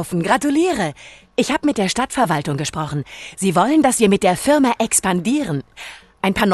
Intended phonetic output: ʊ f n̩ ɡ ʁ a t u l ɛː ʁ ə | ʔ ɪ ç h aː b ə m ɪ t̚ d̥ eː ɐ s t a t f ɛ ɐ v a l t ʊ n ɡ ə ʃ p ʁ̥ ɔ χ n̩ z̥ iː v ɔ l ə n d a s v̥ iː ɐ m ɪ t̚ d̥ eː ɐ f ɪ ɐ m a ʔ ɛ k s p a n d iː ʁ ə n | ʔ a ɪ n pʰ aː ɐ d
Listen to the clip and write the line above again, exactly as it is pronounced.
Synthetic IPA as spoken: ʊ f n̩ ɡ ʁ a t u l iː ʁ ə | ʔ ɪ ç h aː b ə m ɪ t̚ d̥ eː ɐ ʃ t a t f ɛ ɐ v a l t ʊ ŋ ɡ ə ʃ p ʁ̥ ɔ χ n̩ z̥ iː v ɔ l ə n d a s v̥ iː ɐ m ɪ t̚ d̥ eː ɐ f ɪ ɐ m a ʔ ɛ k s p a n d iː ʁ ə n | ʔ a ɪ n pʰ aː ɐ n